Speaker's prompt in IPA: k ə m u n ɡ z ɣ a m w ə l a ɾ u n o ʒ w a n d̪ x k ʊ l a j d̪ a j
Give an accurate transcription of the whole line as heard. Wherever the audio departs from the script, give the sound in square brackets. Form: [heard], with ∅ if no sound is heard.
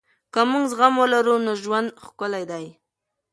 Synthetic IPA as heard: k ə m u [ŋ] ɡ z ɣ a m w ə l a ɾ u n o ʒ w a n d̪ x k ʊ l a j d̪ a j